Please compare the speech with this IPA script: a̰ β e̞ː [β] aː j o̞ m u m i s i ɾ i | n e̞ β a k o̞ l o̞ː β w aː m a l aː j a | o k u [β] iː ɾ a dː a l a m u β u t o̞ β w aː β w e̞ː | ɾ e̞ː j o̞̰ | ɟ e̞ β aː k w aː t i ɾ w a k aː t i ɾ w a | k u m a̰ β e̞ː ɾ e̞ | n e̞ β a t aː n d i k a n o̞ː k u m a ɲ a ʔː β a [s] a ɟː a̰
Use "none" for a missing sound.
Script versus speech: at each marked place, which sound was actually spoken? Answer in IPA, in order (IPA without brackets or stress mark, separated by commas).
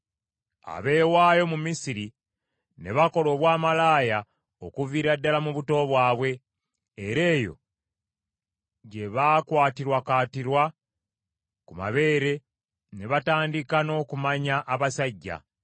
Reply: w, v, s